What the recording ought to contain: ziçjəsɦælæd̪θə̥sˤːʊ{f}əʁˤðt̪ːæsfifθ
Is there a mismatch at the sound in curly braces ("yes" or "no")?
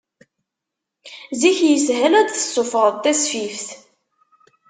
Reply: no